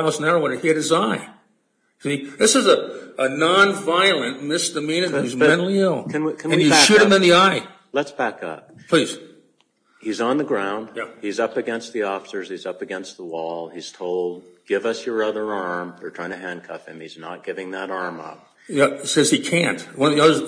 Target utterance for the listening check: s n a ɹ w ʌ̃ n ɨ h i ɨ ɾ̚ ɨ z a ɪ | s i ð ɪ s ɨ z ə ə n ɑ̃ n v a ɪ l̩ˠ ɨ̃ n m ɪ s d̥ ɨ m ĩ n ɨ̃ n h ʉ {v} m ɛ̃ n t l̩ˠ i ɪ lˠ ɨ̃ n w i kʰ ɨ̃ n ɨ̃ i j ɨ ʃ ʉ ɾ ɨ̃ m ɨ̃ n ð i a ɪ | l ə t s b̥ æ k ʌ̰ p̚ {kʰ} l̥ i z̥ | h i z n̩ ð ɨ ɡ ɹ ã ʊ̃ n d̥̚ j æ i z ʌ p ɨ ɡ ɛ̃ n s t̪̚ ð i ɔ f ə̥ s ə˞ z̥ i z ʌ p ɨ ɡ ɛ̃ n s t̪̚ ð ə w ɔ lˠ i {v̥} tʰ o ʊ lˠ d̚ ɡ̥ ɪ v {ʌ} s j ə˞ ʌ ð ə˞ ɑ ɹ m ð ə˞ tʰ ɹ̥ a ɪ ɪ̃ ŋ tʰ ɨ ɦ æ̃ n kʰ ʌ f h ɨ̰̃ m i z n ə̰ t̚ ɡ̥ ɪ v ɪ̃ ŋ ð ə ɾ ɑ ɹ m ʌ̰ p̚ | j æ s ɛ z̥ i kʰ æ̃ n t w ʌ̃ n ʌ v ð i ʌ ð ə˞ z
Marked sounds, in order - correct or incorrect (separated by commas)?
incorrect, incorrect, incorrect, correct